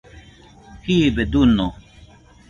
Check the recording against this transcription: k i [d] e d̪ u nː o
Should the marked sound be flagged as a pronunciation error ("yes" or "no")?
yes